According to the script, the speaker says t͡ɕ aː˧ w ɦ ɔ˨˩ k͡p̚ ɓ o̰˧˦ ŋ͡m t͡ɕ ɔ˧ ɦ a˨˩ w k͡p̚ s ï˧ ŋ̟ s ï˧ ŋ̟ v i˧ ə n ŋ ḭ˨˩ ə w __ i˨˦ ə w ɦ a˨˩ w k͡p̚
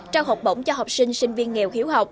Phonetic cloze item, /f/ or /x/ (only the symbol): x